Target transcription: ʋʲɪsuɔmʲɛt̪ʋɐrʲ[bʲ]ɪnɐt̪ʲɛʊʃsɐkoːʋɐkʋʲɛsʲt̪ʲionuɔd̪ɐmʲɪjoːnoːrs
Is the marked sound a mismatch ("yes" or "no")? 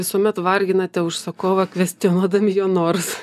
yes